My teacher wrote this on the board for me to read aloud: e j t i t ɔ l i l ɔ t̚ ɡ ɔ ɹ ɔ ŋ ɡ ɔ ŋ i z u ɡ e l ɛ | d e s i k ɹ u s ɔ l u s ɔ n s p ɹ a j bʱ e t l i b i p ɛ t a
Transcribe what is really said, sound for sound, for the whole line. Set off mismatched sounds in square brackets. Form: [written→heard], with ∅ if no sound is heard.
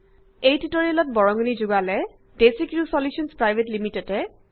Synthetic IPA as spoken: e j t i t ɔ [l→ɹ] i l ɔ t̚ [ɡ→b] ɔ ɹ ɔ ŋ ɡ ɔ [ŋ→n] i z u ɡ [e→a] l ɛ | d e s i k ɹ u s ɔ l u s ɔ n s p ɹ a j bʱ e t l i [b→m] i [p→t] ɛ t [a→ɛ]